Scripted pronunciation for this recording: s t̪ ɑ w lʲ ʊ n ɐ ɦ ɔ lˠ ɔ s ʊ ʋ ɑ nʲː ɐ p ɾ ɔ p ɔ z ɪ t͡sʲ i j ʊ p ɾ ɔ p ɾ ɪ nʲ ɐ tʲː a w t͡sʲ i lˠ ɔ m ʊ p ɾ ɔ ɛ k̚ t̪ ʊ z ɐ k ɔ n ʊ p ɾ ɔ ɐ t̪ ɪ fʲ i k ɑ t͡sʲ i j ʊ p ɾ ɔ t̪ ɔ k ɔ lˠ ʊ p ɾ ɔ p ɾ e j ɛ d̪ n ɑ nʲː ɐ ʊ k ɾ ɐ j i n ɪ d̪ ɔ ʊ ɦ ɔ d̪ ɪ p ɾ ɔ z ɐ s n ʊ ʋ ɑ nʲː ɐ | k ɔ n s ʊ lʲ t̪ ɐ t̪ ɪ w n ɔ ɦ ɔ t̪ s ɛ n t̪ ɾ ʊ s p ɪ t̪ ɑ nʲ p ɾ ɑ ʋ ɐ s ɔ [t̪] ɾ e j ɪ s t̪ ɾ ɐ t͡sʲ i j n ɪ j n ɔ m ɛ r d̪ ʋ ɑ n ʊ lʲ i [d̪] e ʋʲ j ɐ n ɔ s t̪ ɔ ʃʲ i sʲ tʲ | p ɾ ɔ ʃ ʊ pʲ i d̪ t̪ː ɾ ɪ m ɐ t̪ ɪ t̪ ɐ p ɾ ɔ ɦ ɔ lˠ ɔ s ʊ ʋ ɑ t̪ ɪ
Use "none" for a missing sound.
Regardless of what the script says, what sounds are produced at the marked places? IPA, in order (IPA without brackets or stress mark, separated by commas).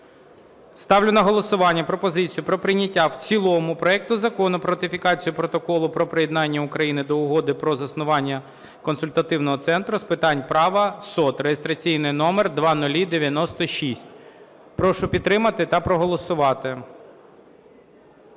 t̪, d̪